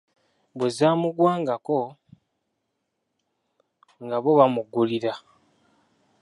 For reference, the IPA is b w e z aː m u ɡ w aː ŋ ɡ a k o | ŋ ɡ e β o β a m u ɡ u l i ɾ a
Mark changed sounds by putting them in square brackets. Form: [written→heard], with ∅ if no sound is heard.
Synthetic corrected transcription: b w e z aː m u ɡ w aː ŋ ɡ a k o | ŋ ɡ [e→a] β o β a m u ɡ u l i ɾ a